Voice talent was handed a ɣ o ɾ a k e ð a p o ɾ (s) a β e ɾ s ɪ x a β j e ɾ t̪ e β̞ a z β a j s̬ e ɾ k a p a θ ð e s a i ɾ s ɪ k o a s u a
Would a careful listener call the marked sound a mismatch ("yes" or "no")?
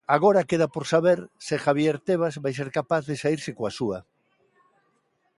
no